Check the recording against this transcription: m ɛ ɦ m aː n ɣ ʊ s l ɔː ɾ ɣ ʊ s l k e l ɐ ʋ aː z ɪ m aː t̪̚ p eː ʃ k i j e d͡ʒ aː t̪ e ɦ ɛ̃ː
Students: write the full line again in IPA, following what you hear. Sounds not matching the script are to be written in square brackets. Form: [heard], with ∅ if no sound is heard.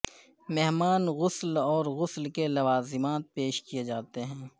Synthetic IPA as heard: m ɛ ɦ m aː n ɣ ʊ s l ɔː ɾ ɣ ʊ s l k e l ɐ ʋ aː z ɪ m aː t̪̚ p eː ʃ k i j e d͡ʒ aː t̪ e ɦ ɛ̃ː